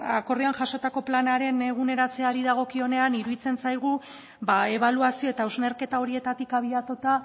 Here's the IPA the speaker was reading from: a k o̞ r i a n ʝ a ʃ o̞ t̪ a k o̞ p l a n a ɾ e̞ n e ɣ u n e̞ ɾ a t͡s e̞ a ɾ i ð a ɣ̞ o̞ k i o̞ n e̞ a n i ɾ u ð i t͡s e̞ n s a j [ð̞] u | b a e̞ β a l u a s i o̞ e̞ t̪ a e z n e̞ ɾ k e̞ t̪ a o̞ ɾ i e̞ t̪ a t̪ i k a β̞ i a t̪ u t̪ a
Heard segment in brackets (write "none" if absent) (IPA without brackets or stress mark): ɣ̞